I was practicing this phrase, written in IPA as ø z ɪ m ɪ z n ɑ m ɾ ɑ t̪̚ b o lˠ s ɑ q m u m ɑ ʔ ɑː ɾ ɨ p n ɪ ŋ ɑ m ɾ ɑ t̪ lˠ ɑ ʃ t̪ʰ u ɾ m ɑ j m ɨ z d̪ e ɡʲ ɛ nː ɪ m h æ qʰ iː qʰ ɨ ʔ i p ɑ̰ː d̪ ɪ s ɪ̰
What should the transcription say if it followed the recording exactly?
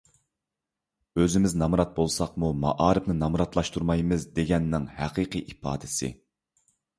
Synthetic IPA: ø z ɪ m ɪ z n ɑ m ɾ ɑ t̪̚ b o lˠ s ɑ q m u m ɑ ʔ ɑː ɾ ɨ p n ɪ n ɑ m ɾ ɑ t̪ lˠ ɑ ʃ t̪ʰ u ɾ m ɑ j m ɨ z d̪ e ɡʲ ɛ nː ɪ ŋ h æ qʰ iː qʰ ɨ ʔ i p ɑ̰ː d̪ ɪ s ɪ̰